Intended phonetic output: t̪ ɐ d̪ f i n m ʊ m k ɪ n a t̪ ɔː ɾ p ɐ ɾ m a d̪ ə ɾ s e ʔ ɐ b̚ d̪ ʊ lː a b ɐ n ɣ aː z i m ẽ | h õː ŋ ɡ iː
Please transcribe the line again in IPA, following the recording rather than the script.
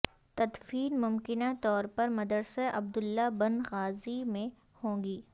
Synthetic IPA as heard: t̪ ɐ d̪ f iː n m ʊ m k ɪ n a t̪ ɔː ɾ p ɐ ɾ m ɐ d̪ ə ɾ s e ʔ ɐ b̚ d̪ ʊ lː a b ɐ n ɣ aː z i m ẽ | h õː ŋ ɡ iː